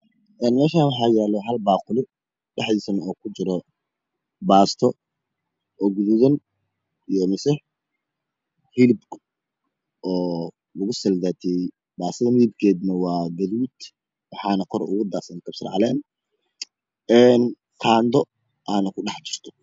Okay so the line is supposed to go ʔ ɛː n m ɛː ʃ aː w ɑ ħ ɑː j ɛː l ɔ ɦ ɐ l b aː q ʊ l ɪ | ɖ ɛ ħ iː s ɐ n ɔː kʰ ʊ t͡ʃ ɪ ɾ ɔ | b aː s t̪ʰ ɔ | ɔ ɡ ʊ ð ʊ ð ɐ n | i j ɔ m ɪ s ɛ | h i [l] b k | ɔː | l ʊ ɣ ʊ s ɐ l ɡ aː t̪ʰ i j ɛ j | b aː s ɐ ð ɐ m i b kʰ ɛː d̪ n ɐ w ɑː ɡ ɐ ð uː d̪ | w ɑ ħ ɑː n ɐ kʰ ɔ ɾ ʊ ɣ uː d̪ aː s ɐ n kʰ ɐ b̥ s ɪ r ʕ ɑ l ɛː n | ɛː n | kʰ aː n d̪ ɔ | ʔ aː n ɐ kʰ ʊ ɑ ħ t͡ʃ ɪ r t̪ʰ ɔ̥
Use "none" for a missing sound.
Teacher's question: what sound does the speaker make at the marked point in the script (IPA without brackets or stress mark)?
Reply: l